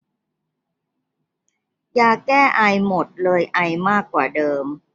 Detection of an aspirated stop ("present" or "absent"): absent